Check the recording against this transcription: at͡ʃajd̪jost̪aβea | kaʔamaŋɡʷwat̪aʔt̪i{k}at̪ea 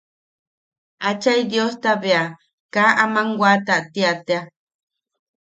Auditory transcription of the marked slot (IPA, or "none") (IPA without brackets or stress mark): none